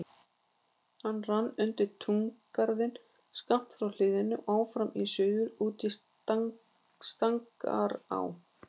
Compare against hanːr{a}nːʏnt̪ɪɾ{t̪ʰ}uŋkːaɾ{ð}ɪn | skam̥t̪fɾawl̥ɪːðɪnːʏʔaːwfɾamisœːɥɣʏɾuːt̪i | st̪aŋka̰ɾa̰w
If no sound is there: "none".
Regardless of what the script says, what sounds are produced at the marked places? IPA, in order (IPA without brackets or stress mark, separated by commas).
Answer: a, t̪ʰ, ð